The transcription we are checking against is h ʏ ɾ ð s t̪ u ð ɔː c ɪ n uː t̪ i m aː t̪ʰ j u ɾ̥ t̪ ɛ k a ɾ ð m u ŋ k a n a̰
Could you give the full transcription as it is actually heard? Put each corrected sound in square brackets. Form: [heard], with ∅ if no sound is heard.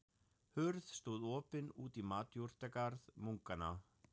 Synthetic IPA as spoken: h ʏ ɾ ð s t̪ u ð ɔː [p] ɪ n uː t̪ i m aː [t̪] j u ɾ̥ t̪ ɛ k a ɾ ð m u ŋ k a n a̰

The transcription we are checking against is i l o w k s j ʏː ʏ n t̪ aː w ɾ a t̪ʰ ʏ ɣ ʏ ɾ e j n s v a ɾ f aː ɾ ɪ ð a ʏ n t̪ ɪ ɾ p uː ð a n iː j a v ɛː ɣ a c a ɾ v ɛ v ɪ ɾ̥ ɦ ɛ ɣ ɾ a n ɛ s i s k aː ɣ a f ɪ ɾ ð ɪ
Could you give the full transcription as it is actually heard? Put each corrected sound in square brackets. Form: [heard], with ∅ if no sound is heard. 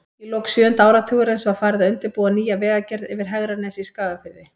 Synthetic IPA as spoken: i l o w k s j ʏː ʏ n t̪ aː w ɾ a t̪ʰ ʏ ɣ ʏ ɾ e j n s v a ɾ f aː ɾ ɪ ð a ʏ n t̪ ɪ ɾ p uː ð a n iː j a v ɛː ɣ a c [ɛ] ɾ [ð] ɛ v ɪ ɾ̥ ɦ ɛ ɣ ɾ a n ɛ s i s k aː ɣ a f ɪ ɾ ð ɪ

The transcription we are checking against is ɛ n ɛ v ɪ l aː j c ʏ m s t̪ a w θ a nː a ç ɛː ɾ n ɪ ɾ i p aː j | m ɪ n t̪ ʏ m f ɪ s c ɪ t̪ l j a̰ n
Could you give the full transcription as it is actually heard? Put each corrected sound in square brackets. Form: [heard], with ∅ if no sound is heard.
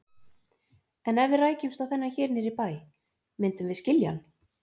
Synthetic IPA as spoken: ɛ n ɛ v ɪ [r] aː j c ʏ m s t̪ a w θ [ɛ] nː a ç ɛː ɾ n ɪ ɾ i p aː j | m ɪ n t̪ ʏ m [v] ɪ s c ɪ [∅] l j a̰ n

